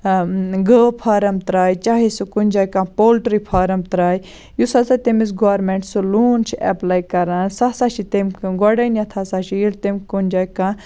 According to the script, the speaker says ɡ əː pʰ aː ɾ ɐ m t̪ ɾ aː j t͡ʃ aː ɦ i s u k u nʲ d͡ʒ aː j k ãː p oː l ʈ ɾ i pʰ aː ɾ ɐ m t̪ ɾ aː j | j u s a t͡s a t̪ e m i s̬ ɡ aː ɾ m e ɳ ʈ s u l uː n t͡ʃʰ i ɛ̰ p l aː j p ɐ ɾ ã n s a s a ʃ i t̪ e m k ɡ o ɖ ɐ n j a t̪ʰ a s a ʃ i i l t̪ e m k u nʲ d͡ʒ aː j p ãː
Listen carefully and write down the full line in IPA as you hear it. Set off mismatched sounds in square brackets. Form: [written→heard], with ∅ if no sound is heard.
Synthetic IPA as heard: ɡ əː pʰ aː ɾ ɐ m t̪ ɾ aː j t͡ʃ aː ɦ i s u k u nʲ d͡ʒ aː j k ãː p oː l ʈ ɾ i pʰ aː ɾ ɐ m t̪ ɾ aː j | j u s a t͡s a t̪ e m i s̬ ɡ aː ɾ m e ɳ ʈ s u l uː n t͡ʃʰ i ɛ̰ p l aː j [p→k] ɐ ɾ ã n s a s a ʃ i t̪ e m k ɡ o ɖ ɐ n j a t̪ʰ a s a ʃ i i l t̪ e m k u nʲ d͡ʒ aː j [p→k] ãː